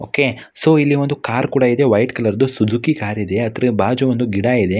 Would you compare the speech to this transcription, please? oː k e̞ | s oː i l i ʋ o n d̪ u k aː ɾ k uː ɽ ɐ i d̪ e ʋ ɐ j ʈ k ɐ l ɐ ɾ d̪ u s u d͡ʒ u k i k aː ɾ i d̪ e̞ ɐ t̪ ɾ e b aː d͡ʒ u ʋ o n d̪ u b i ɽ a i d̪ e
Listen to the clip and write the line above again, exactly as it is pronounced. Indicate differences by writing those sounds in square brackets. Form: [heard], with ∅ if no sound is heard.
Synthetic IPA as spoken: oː k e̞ | s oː i [lː] i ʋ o n d̪ u k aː ɾ k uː ɽ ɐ i d̪ e ʋ ɐ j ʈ k ɐ l ɐ ɾ d̪ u s u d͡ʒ u k i k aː ɾ i d̪ e̞ ɐ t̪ ɾ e b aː d͡ʒ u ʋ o n d̪ u [ɡ] i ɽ a i d̪ e